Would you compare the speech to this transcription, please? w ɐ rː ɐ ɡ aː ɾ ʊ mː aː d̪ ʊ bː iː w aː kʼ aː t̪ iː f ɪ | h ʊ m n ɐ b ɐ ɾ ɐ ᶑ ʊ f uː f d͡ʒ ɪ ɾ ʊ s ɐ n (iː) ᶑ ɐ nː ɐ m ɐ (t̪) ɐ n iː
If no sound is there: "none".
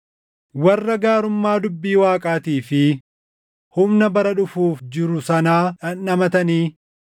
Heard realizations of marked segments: aː, t̪

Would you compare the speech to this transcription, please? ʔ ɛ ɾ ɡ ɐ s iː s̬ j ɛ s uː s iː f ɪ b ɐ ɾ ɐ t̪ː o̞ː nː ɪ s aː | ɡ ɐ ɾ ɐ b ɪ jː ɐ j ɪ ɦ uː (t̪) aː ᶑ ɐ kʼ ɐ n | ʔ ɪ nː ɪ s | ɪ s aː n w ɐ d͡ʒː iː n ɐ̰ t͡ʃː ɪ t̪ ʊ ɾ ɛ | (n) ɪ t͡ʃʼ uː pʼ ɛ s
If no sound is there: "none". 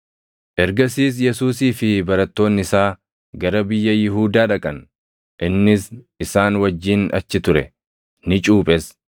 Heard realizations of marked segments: d̪, n

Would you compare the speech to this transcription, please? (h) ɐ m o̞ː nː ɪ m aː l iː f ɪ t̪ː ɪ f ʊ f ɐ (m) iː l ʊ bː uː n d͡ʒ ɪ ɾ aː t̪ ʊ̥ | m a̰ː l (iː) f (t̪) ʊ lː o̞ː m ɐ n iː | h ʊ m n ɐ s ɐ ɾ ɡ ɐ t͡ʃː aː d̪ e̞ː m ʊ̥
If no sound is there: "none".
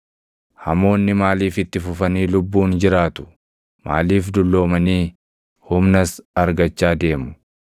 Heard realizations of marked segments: h, n, iː, d̪

